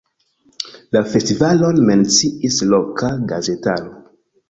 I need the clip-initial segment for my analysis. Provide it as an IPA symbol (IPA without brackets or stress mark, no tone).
l